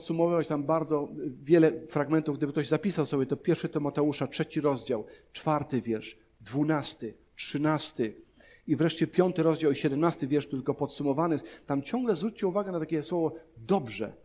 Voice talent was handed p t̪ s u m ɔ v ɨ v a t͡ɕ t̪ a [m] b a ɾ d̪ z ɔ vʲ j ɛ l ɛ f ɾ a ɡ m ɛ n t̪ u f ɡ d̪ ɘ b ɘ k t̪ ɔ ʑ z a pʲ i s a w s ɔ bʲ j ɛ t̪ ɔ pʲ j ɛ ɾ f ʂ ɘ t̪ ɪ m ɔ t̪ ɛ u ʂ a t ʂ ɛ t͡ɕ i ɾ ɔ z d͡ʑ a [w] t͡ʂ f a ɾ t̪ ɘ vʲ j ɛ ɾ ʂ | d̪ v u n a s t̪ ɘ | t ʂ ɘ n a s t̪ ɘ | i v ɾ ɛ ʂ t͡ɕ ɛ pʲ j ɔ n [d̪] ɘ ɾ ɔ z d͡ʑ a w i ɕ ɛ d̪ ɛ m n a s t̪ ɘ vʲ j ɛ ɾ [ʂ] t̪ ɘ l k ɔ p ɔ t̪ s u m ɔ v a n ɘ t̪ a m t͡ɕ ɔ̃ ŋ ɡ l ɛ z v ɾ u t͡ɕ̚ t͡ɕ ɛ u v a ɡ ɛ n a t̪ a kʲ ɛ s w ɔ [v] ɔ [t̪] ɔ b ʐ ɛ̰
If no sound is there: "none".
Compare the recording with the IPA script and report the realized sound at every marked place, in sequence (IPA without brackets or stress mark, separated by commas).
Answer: m, w, t̪, ʂ, v, d̪